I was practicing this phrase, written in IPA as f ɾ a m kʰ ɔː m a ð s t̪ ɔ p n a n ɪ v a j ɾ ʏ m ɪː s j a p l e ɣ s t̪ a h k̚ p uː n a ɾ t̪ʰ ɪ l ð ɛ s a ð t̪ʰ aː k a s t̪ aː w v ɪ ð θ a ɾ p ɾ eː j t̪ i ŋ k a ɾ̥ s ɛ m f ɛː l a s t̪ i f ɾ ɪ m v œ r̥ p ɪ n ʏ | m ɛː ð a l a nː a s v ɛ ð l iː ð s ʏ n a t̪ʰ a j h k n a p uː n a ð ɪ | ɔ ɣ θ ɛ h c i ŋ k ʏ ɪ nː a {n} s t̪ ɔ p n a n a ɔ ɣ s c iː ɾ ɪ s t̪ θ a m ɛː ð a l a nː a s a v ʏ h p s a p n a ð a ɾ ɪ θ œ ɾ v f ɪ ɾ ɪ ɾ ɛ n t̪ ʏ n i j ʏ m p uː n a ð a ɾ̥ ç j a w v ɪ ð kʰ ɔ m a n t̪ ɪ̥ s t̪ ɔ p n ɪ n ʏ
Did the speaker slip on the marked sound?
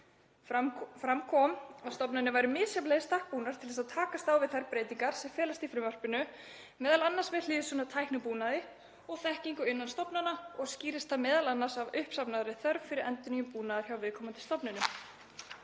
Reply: no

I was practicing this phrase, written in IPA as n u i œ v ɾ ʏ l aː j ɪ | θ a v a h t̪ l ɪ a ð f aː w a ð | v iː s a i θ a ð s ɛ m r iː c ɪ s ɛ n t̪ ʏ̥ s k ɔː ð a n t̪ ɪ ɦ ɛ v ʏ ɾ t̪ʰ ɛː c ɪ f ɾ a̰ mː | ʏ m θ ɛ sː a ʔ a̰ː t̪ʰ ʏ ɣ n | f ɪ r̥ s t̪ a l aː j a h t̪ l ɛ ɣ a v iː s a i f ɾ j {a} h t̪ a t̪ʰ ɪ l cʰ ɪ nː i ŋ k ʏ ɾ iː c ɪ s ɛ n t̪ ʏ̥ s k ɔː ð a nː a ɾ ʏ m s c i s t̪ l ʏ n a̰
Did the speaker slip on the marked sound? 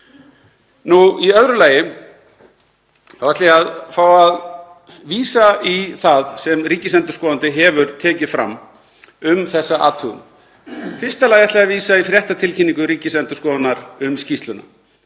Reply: yes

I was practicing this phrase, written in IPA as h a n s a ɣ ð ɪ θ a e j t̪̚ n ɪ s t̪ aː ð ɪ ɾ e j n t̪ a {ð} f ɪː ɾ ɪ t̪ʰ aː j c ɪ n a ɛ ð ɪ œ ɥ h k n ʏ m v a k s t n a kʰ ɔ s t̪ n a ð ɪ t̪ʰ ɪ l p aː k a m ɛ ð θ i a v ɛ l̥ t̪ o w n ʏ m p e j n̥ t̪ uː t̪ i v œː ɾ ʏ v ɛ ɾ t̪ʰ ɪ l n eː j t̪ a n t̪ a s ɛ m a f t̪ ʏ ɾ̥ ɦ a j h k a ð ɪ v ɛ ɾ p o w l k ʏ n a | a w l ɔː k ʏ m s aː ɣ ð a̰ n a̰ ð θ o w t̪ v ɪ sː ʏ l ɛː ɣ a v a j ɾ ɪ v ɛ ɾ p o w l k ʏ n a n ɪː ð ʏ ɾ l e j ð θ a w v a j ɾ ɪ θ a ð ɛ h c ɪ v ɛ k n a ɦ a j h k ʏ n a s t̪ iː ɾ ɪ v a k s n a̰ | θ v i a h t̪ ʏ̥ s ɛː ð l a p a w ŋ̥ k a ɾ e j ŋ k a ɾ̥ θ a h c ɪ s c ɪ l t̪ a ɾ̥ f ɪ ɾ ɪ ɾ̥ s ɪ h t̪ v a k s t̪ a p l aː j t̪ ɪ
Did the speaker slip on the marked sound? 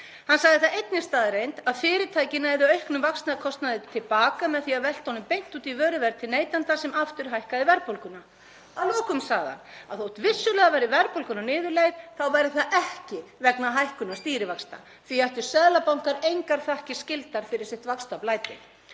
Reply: no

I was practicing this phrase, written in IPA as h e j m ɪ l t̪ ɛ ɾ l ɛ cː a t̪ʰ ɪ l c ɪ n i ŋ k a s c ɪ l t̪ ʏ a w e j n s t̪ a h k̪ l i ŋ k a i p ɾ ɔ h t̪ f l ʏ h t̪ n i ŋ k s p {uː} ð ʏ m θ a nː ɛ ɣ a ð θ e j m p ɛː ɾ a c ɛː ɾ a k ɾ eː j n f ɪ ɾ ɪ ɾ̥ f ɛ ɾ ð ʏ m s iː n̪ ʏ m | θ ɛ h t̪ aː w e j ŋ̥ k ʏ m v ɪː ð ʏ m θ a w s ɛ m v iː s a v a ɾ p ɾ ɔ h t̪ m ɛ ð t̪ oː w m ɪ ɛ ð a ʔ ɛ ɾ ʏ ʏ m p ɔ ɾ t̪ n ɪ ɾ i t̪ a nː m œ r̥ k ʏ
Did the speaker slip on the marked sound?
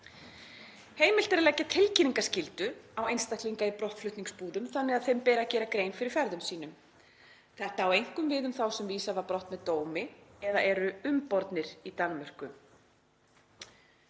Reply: no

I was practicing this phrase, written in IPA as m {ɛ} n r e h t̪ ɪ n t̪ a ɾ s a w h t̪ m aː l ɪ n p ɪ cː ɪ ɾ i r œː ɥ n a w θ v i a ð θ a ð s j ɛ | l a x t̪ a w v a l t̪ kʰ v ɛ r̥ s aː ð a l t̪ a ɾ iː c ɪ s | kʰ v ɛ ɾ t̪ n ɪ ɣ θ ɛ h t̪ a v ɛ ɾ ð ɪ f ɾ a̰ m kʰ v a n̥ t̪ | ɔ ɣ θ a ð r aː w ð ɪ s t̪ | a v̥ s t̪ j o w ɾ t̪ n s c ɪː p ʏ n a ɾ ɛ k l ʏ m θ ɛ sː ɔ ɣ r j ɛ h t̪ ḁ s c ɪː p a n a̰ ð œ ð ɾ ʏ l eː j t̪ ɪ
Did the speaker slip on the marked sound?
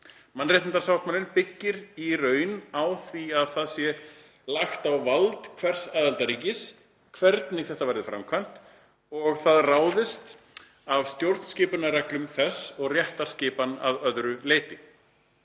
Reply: yes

